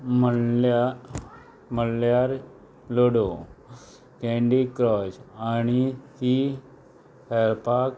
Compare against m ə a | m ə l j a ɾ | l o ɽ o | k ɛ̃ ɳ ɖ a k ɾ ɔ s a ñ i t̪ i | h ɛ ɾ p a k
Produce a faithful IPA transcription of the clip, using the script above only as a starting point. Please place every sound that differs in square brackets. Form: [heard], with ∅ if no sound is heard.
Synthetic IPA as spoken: m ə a | m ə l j a ɾ | l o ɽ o | k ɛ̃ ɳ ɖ [i] k ɾ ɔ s a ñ i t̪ i | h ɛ ɾ p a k